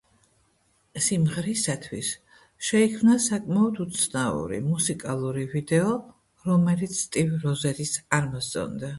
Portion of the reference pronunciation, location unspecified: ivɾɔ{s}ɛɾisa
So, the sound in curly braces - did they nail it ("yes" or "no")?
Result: no